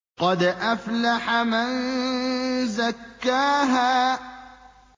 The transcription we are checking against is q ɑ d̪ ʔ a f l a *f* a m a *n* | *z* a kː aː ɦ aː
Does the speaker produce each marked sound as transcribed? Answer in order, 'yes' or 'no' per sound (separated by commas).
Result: no, yes, yes